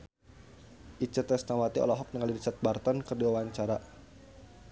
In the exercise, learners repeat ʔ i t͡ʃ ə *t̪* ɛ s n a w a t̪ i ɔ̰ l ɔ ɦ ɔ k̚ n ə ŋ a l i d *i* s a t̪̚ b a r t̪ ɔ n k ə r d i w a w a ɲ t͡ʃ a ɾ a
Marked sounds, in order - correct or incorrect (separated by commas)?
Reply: correct, correct